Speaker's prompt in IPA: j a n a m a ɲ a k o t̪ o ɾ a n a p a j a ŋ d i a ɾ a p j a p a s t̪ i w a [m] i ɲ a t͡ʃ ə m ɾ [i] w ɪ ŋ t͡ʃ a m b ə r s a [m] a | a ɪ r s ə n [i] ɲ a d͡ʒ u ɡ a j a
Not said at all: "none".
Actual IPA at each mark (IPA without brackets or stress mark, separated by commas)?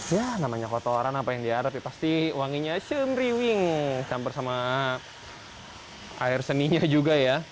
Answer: ŋ, i, m, i